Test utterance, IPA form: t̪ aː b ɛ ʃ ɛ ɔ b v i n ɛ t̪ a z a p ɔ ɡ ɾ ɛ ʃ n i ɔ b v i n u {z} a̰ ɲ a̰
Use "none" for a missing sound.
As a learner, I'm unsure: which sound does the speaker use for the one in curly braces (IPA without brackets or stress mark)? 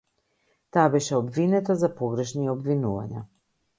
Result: v